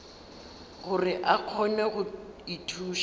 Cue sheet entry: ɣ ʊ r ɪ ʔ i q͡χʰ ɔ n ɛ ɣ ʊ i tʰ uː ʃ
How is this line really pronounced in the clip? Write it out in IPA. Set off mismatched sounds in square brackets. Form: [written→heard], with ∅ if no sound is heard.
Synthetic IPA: ɣ ʊ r ɪ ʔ [i→a] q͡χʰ ɔ n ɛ ɣ ʊ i tʰ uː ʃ